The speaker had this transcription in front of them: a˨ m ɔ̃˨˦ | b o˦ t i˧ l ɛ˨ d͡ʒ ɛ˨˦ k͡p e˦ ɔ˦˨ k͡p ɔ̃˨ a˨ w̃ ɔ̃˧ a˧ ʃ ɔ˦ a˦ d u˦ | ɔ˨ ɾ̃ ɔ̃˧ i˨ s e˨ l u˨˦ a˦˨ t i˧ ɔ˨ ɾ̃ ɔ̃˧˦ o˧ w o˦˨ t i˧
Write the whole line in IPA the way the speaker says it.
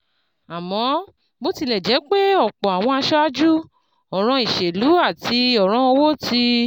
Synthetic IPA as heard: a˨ m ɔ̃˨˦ | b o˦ t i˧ l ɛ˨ d͡ʒ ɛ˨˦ k͡p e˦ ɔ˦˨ k͡p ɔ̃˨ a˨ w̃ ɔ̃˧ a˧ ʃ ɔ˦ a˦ d͡ʒ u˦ | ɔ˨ ɾ̃ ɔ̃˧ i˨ ʃ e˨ l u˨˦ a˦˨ t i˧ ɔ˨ ɾ̃ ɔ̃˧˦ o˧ w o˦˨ t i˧